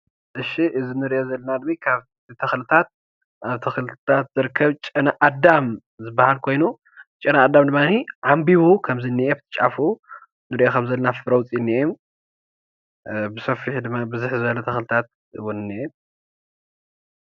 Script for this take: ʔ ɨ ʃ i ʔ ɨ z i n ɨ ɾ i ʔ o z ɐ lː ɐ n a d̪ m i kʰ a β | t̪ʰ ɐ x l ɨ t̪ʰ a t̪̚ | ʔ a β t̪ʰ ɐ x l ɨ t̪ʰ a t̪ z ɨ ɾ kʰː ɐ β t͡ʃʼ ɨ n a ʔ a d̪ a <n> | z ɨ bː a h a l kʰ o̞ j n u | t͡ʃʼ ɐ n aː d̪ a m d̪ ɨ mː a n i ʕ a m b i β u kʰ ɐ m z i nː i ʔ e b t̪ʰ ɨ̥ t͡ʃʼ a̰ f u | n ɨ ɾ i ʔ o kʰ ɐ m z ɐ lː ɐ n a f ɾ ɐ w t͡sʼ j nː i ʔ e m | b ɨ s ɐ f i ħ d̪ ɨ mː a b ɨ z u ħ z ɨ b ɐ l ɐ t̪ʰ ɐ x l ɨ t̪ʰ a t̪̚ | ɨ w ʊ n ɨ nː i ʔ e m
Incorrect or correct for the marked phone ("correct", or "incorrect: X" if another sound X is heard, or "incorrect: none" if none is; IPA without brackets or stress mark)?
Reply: incorrect: m